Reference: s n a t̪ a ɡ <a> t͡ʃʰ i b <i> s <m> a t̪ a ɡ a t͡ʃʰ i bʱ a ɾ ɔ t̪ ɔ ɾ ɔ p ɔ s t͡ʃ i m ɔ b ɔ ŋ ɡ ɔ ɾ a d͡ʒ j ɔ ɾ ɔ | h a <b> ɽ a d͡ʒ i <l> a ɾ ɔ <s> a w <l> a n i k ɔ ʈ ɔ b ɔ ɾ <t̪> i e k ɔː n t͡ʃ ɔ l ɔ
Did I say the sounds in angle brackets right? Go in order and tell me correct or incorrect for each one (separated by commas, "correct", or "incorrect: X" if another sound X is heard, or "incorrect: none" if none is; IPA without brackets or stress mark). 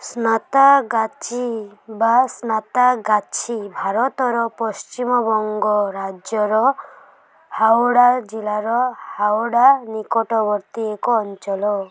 correct, incorrect: a, incorrect: n, incorrect: w, correct, incorrect: h, incorrect: ɽ, correct